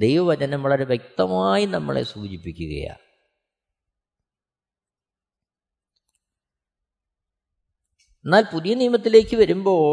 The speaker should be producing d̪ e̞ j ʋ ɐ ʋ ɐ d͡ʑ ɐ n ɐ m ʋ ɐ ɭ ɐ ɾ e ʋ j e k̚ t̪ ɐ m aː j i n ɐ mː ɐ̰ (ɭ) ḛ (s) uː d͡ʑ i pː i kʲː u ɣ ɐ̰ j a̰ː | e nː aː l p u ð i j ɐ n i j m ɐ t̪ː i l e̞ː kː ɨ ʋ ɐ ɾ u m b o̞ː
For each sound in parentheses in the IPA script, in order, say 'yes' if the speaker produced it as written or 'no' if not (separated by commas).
yes, yes